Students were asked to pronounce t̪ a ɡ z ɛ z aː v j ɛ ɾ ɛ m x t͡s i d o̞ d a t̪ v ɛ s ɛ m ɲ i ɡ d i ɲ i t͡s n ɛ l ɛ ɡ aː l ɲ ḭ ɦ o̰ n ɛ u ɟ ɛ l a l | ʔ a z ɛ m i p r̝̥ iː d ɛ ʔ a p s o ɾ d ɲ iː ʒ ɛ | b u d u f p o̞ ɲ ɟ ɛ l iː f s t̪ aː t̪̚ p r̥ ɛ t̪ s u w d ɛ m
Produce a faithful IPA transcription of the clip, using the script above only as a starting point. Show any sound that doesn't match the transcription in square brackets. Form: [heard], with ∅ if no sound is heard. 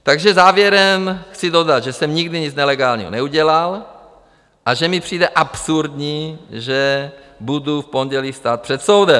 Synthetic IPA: t̪ a ɡ [ʒ] ɛ z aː v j ɛ ɾ ɛ m x t͡s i d o̞ d a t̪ [ʒ] ɛ s ɛ m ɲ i ɡ d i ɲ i t͡s n ɛ l ɛ ɡ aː l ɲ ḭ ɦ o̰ n ɛ u ɟ ɛ l a l | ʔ a [ʒ] ɛ m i p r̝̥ iː d ɛ ʔ a p s [u] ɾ d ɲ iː ʒ ɛ | b u d u f p o̞ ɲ ɟ ɛ l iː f s t̪ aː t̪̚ p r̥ ɛ t̪ s [o] w d ɛ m